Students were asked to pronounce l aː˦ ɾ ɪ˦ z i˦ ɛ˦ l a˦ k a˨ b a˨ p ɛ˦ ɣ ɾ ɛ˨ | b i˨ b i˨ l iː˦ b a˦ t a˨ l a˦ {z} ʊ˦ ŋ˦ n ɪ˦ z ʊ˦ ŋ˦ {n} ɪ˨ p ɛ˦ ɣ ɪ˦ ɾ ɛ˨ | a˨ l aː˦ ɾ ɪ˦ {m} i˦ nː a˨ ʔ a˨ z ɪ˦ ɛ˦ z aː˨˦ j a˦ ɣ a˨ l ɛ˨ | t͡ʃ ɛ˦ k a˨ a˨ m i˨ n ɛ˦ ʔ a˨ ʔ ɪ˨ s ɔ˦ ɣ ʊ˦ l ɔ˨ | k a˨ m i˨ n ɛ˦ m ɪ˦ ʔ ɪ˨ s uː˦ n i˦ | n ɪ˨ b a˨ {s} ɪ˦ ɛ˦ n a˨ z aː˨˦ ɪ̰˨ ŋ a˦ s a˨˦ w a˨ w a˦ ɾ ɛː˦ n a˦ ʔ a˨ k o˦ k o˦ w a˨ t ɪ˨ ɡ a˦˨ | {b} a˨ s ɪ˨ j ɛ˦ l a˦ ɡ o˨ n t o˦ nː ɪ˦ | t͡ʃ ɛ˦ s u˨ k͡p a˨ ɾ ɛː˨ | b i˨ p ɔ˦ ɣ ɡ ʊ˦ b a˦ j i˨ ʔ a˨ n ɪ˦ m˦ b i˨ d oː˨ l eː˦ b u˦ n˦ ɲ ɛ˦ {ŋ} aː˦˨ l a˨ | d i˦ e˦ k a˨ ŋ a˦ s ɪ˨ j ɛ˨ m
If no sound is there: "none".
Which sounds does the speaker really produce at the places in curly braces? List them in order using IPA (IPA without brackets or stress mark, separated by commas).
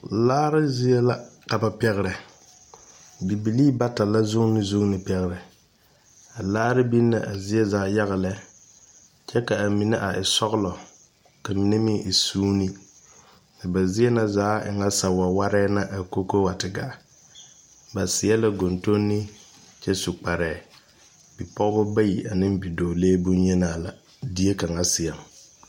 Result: z, n, b, z, b, n